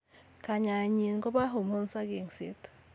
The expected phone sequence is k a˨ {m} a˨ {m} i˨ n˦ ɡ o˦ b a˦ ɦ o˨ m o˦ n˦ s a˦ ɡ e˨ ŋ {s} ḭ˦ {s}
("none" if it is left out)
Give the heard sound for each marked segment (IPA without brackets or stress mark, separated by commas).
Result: ɲ, ɲ, s, t